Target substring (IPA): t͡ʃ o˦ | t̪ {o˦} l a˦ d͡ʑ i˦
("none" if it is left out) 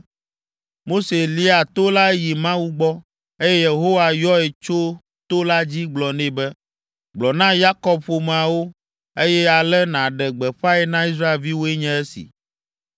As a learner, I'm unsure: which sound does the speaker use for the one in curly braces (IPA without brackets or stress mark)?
o˦